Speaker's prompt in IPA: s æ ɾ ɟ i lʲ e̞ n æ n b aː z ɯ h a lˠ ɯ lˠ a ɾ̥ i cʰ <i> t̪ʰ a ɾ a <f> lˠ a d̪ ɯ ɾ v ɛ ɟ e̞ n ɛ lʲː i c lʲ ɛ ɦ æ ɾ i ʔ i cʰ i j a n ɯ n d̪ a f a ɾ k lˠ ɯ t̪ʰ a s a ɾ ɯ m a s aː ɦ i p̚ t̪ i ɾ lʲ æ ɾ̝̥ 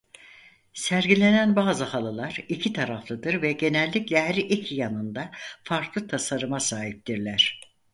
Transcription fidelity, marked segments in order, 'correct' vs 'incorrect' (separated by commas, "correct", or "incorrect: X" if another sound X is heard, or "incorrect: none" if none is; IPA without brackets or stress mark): correct, correct